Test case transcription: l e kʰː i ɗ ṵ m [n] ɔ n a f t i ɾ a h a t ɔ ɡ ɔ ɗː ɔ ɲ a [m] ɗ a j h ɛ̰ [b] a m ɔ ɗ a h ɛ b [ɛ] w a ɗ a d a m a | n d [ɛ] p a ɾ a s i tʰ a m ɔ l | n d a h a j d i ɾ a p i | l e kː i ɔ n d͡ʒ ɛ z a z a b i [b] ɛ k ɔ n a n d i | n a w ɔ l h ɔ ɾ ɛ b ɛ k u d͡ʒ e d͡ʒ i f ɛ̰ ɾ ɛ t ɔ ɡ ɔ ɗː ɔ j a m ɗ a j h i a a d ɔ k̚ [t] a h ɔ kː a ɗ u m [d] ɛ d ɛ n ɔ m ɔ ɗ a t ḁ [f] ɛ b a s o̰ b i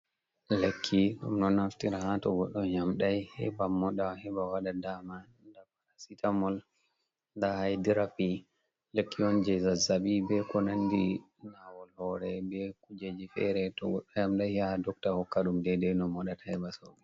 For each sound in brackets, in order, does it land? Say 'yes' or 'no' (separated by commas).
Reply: yes, yes, yes, no, no, yes, yes, yes, no